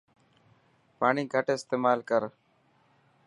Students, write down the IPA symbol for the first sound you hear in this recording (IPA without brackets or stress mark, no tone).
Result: p